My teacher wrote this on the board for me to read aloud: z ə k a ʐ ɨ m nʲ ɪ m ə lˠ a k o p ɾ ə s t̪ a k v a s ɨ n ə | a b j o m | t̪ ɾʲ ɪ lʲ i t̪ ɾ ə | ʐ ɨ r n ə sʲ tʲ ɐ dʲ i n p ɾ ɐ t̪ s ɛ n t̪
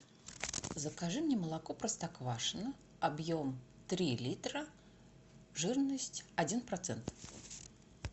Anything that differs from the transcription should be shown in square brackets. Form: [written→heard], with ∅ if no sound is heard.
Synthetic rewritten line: z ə k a ʐ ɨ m nʲ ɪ m ə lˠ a k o p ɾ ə s t̪ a k v a [s→ʂ] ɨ n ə | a b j o m | t̪ ɾʲ [ɪ→i] lʲ i t̪ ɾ ə | ʐ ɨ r n ə sʲ tʲ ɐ dʲ i n p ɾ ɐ t̪ s ɛ n t̪